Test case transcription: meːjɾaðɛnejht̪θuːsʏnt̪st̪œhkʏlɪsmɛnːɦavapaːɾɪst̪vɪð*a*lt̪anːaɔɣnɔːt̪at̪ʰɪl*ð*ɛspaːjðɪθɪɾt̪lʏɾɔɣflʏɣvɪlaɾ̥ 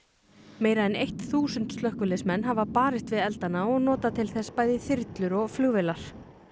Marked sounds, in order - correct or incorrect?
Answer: incorrect: ɛ, incorrect: θ

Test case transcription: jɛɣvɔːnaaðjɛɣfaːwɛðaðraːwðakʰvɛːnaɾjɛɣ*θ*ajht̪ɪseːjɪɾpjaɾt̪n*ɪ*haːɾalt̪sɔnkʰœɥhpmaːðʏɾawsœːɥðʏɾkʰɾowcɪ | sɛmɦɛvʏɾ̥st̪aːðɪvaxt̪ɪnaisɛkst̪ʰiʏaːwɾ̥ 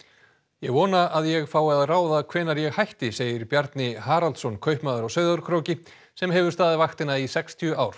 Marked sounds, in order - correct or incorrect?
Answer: incorrect: h, correct

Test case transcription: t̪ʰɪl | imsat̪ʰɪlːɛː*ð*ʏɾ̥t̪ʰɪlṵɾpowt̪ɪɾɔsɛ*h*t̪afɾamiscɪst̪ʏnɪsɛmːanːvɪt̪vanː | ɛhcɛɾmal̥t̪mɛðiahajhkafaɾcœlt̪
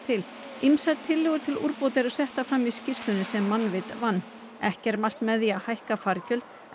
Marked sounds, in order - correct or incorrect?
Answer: incorrect: ɣ, correct

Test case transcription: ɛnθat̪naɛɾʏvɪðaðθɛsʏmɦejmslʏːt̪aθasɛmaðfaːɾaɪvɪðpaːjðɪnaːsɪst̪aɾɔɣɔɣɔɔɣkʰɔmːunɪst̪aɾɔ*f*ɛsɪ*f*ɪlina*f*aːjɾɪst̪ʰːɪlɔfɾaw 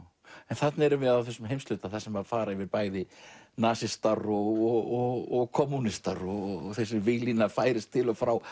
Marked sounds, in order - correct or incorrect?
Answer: incorrect: θ, incorrect: v, correct

